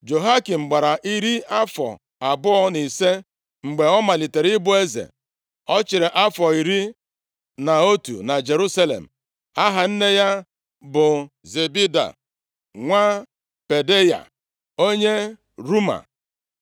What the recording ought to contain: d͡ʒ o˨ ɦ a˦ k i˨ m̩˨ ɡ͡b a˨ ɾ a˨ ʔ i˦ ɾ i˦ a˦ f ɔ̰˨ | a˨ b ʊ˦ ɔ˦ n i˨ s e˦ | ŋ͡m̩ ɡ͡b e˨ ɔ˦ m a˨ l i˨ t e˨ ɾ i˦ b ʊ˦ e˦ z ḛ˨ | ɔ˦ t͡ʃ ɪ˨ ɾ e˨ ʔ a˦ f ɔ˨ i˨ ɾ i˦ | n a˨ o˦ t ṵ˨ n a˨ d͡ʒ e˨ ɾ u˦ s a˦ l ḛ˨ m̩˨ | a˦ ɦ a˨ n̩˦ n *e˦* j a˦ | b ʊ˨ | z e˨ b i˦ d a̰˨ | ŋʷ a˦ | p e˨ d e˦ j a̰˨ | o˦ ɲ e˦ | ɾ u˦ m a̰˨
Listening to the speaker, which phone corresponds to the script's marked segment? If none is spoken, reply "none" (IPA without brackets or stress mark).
e˦